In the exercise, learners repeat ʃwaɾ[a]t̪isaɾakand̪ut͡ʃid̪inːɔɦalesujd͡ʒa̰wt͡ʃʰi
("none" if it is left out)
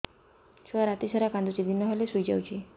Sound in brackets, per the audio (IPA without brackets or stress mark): a